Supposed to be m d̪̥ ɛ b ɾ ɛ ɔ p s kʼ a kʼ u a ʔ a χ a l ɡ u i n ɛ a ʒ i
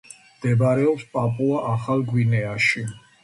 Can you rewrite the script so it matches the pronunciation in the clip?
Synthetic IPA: m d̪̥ ɛ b ɾ ɛ ɔ p s pʼ a pʼ u a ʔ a χ a l ɡ w i n ɛ a ʃ i